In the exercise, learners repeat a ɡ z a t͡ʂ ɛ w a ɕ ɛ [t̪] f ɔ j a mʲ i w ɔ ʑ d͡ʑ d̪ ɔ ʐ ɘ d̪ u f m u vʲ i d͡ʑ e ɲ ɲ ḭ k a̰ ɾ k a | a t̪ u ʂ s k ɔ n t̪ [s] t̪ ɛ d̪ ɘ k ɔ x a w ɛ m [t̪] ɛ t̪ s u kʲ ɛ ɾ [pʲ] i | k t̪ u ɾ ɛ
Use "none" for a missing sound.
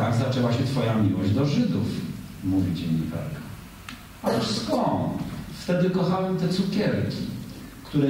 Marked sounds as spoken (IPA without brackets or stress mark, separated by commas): t̪, f, t̪, kʲ